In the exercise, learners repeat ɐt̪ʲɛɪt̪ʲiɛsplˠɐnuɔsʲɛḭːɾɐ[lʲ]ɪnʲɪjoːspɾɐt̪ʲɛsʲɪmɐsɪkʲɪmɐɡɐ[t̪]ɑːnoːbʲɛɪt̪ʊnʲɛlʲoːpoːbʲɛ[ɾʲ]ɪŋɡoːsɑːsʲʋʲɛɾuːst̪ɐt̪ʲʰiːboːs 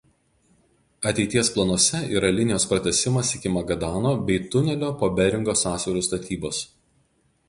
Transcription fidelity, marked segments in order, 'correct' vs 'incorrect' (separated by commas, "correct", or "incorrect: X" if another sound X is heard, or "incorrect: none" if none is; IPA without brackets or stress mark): correct, incorrect: d̪, correct